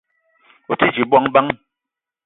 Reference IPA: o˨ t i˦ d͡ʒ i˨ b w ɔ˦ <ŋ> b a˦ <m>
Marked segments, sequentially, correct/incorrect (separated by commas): correct, incorrect